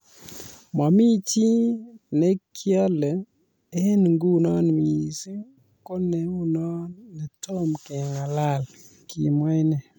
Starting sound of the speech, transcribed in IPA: m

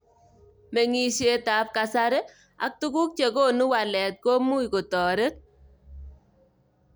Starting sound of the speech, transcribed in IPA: m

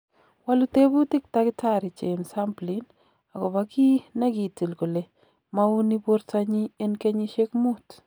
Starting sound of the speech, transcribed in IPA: w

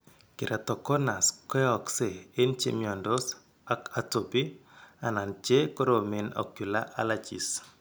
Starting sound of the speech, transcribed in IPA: k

